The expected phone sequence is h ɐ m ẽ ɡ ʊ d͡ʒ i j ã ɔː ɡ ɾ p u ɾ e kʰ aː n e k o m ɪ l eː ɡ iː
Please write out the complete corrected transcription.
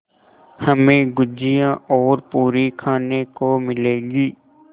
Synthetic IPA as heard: h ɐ m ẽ ɡ ʊ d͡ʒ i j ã ɔː ɾ p uː ɾ i kʰ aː n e k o m ɪ l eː ɡ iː